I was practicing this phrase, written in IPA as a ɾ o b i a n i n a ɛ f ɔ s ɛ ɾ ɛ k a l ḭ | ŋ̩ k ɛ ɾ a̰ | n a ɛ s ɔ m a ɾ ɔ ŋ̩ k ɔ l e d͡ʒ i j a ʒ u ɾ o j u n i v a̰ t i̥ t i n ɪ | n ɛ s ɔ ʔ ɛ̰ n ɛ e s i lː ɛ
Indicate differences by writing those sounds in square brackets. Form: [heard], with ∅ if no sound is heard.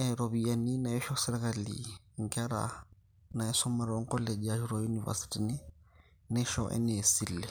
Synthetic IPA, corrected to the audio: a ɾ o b i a n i n a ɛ [ʃ] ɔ s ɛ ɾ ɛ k a l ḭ | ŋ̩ k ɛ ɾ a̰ | n a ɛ s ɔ m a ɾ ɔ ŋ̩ k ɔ l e d͡ʒ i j a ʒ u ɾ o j u n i v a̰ [s] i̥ t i n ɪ | n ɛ [ʃ] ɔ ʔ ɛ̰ n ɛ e s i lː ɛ